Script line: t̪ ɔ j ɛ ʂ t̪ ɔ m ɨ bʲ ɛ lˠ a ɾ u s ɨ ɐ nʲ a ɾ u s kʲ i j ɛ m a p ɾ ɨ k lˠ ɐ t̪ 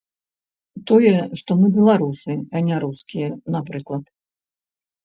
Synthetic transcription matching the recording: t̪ ɔ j ɛ ʂ t̪ ɔ m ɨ bʲ ɛ lˠ a ɾ u s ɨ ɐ nʲ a ɾ u s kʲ i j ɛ n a p ɾ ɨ k lˠ ɐ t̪